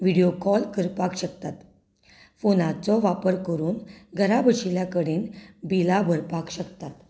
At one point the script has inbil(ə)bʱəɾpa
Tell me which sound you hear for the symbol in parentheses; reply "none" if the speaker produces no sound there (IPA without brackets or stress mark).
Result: a